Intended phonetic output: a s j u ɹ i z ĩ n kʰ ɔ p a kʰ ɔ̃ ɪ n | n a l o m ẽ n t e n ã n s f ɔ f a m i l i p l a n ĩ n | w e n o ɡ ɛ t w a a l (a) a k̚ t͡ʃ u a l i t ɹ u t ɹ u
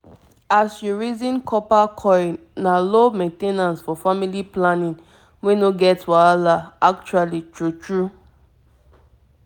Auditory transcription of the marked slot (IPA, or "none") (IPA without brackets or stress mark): a